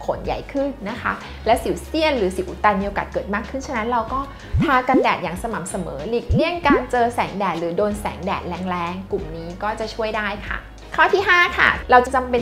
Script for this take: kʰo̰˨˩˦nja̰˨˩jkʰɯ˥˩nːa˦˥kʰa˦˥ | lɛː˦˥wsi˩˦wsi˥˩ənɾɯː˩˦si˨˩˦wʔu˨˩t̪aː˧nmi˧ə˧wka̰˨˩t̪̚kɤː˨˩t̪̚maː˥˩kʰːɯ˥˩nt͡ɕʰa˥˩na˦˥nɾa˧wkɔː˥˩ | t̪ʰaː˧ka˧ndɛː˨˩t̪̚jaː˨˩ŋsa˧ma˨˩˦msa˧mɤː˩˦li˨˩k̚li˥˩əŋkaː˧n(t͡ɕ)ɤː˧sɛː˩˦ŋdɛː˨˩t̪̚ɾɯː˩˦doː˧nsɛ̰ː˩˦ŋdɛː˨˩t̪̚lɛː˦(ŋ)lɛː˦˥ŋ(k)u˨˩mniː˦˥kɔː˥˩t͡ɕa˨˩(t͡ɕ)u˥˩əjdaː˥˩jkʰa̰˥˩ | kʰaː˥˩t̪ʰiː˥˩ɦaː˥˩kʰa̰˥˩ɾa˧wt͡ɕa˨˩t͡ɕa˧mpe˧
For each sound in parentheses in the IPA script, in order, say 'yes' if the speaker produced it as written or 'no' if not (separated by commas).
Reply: yes, yes, yes, no